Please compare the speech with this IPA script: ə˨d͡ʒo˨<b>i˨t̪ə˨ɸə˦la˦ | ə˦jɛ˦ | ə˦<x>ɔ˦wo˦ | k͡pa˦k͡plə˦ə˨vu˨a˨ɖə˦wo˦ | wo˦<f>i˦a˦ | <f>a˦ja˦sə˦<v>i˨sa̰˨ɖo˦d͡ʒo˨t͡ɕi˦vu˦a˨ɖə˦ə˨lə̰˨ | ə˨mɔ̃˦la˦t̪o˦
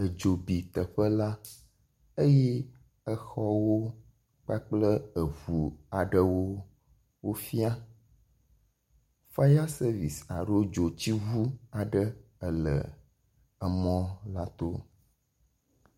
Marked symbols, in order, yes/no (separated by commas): yes, yes, yes, yes, yes